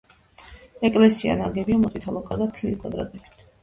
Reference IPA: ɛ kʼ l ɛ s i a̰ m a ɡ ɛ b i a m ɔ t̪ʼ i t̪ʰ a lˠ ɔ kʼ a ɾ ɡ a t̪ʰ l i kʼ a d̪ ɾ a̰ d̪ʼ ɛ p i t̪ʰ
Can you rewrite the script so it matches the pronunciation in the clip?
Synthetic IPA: ɛ kʼ l ɛ s i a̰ n a ɡ ɛ b i a m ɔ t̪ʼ i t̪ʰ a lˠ ɔ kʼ a ɾ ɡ a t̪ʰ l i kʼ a d̪ ɾ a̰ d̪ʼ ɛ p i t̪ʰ